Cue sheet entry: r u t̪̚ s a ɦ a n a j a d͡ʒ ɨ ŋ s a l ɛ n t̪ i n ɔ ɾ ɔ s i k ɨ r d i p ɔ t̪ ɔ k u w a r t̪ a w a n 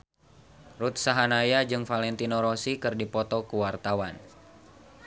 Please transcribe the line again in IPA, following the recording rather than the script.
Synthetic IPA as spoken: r u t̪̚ s a ɦ a n a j a d͡ʒ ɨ ŋ f a l ɛ n t̪ i n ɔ ɾ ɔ s i k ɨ r d i p ɔ t̪ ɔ k u w a r t̪ a w a n